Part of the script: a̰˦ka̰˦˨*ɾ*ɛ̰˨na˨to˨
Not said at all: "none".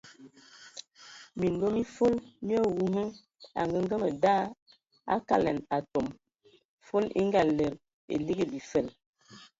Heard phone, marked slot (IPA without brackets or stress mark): l